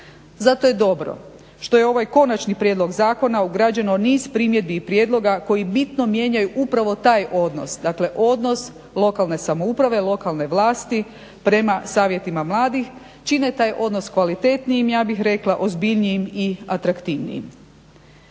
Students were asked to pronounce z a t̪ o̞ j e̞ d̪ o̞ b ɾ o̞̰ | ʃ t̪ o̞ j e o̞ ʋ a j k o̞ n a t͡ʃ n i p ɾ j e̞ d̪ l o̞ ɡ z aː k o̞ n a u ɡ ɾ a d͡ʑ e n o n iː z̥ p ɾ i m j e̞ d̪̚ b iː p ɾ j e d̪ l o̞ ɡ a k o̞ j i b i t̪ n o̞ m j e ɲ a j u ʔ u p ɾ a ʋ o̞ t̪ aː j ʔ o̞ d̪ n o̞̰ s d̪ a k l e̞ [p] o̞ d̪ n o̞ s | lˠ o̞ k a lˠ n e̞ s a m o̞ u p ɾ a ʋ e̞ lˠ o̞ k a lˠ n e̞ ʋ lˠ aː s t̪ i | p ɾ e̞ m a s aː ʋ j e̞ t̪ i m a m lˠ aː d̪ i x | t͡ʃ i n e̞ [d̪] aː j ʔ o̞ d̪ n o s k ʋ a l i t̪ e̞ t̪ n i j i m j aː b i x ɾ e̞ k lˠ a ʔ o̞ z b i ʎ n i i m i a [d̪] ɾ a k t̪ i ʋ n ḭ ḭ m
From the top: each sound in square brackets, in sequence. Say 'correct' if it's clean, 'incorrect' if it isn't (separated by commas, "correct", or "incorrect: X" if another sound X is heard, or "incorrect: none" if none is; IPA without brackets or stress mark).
incorrect: ʔ, incorrect: t̪, incorrect: t̪